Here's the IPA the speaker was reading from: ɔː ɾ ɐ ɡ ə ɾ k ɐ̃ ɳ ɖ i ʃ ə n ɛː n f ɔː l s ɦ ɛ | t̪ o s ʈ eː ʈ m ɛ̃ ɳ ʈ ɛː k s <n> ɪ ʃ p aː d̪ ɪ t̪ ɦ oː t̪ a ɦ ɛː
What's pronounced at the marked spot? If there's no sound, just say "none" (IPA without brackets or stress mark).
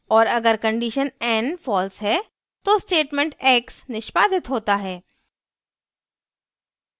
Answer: n